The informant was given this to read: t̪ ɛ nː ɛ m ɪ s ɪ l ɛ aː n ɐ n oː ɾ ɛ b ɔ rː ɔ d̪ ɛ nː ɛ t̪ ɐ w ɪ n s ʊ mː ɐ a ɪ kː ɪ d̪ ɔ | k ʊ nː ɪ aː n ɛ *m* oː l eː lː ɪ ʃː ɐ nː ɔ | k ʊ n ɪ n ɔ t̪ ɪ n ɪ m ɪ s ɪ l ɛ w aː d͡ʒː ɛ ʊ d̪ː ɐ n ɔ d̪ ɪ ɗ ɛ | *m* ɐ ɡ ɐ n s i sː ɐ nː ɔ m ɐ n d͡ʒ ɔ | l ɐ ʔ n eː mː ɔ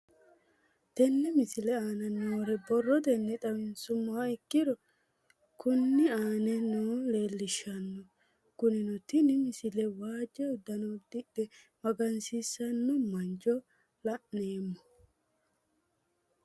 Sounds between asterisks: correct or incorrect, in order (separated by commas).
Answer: incorrect, correct